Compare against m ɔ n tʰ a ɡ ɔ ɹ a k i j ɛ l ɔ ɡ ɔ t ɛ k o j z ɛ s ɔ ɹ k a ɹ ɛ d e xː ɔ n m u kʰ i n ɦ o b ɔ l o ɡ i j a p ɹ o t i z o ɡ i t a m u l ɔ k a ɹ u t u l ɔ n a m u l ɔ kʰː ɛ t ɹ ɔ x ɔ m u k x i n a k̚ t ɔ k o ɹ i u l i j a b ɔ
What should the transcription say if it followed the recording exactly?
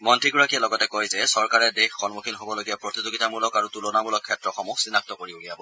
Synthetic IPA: m ɔ n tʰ i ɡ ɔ ɹ a k i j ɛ l ɔ ɡ ɔ t ɛ k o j z ɛ s ɔ ɹ k a ɹ ɛ d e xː ɔ n m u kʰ i n ɦ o b ɔ l o ɡ i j a p ɹ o t i z o ɡ i t a m u l ɔ k a ɹ u t u l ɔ n a m u l ɔ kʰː ɛ t ɹ ɔ x ɔ m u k s i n a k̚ t ɔ k o ɹ i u l i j a b ɔ